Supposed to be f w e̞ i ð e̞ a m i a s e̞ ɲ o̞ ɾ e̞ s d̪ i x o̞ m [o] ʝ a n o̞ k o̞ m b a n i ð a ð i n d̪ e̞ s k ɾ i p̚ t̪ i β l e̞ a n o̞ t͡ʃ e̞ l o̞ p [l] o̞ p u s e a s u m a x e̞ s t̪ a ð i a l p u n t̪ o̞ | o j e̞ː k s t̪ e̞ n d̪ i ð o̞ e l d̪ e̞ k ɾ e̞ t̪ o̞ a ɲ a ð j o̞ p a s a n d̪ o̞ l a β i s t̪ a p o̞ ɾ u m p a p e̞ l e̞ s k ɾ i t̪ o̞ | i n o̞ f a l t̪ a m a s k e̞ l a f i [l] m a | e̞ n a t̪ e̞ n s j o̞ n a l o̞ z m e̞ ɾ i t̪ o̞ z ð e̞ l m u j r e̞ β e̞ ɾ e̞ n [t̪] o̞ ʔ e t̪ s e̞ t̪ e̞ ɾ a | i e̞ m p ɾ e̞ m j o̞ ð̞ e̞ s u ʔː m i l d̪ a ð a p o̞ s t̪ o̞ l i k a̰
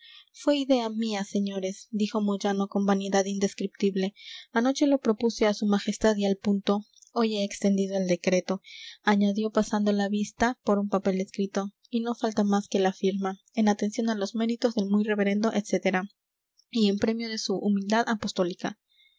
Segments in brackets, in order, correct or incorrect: correct, incorrect, incorrect, incorrect

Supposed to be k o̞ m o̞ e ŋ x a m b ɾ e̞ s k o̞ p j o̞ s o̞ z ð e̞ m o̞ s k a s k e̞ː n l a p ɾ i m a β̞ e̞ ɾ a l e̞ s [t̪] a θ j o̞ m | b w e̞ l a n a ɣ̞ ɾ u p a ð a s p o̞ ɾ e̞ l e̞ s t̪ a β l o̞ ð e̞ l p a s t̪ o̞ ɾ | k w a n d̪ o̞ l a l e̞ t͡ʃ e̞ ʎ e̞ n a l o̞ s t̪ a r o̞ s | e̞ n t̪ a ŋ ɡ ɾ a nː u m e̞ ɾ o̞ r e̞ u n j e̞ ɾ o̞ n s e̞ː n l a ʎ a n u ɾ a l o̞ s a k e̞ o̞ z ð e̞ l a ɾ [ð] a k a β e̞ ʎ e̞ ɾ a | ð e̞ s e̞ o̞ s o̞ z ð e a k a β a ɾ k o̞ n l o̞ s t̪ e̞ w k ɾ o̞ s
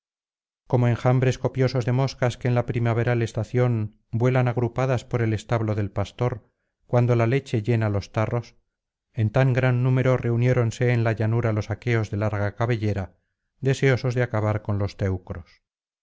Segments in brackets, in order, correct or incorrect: correct, incorrect

